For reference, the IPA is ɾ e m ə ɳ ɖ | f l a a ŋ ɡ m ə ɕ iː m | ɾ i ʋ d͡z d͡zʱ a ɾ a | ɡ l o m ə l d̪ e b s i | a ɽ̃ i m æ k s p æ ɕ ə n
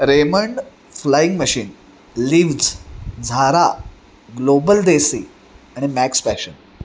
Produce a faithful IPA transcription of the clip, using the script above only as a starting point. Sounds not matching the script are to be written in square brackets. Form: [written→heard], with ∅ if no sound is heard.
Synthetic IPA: ɾ e m ə ɳ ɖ | f l a [a→i] ŋ ɡ m ə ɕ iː [m→n] | [ɾ→l] i ʋ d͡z d͡zʱ a ɾ a | ɡ l o [m→b] ə l d̪ e [b→∅] s i | a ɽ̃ i m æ k s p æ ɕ ə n

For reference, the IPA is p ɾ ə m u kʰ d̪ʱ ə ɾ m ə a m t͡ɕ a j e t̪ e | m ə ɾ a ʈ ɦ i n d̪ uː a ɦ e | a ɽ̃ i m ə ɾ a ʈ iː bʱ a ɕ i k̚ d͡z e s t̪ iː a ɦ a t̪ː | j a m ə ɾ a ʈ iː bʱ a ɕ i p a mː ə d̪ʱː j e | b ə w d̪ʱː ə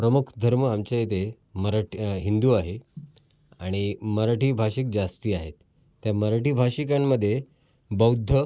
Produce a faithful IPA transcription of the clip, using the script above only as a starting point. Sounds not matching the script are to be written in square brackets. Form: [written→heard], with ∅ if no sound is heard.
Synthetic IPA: p ɾ ə m u kʰ d̪ʱ ə ɾ m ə a m t͡ɕ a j e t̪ e | m ə ɾ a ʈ ɦ i n d̪ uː a ɦ e | a ɽ̃ i m ə ɾ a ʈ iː bʱ a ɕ i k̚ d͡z [e→a] s t̪ iː a ɦ [a→e] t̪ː | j a m ə ɾ a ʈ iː bʱ a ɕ i [p→k] a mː ə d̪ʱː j e | b ə w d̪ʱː ə

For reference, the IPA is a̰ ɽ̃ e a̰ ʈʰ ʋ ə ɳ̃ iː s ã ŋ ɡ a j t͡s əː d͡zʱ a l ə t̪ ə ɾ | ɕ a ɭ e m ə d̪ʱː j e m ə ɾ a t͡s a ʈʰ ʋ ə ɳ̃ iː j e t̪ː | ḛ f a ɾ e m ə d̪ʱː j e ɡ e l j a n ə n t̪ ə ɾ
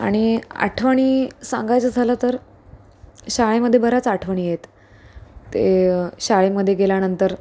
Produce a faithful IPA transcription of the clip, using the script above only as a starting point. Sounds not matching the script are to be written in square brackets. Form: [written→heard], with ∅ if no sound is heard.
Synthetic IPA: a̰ ɽ̃ [e→i] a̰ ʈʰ ʋ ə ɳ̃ iː s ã ŋ ɡ a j t͡s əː d͡zʱ a l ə t̪ ə ɾ | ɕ a ɭ e m ə d̪ʱː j e [m→b] ə ɾ a t͡s a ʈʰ ʋ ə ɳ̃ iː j e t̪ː | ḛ [f→ɕ] a [ɾ→ɭ] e m ə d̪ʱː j e ɡ e l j a n ə n t̪ ə ɾ

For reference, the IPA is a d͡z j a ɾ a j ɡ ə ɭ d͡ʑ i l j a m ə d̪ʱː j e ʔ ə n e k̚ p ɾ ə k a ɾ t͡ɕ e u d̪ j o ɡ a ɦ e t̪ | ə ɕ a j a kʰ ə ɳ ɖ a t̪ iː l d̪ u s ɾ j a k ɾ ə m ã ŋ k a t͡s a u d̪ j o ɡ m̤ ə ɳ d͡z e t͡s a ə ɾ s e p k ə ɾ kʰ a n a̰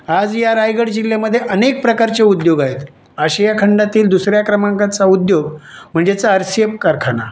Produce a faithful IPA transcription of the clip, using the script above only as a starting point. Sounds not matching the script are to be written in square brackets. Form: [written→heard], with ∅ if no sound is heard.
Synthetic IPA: a d͡z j a ɾ a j ɡ ə [ɭ→ɽ] d͡ʑ i l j a m ə d̪ʱː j e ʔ ə n e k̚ p ɾ ə k a ɾ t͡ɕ e u d̪ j o ɡ a ɦ e t̪ | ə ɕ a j a kʰ ə ɳ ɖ a t̪ iː l d̪ u s ɾ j a k ɾ ə m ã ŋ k a t͡s a u d̪ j o ɡ m̤ ə ɳ d͡z e t͡s a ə ɾ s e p k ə ɾ kʰ a n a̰

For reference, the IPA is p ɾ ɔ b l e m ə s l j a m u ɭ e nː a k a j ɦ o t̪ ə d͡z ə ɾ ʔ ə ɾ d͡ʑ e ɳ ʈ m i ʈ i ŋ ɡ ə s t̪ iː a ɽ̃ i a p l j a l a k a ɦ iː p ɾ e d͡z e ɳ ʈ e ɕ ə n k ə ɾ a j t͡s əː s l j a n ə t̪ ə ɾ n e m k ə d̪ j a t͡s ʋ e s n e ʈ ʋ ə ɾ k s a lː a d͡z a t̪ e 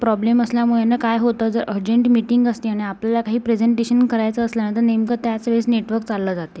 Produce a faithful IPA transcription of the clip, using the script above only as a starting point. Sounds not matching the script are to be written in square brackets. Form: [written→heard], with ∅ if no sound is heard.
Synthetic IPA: p ɾ ɔ b l e m ə s l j a m u ɭ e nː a k a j ɦ o t̪ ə d͡z ə ɾ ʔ ə ɾ d͡ʑ e ɳ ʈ m i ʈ i ŋ ɡ ə s t̪ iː a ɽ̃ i a p l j a l a k a ɦ iː p ɾ e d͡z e ɳ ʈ e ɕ ə n k ə ɾ a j t͡s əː s l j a n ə t̪ ə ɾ n e m k ə [d̪→t̪] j a t͡s ʋ e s n e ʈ ʋ ə ɾ k [s→t͡s] a lː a d͡z a t̪ e

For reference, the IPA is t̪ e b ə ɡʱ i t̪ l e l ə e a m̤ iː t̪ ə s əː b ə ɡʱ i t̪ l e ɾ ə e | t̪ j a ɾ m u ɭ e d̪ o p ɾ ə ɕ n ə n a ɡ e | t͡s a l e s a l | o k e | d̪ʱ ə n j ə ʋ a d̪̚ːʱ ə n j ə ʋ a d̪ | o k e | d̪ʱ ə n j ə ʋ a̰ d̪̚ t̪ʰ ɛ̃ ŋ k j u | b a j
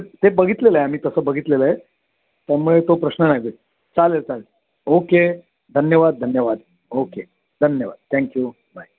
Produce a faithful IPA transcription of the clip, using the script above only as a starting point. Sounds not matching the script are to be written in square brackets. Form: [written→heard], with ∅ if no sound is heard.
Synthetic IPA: t̪ e b ə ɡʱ i t̪ l e l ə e a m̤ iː t̪ ə s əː b ə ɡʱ i t̪ l e [ɾ→l] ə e | t̪ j a ɾ m u ɭ e [d̪→t̪] o p ɾ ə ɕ n ə n a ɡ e | t͡s a l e [s→t͡s] a l | o k e | d̪ʱ ə n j ə ʋ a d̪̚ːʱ ə n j ə ʋ a d̪ | o k e | d̪ʱ ə n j ə ʋ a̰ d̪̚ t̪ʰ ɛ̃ ŋ k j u | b a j

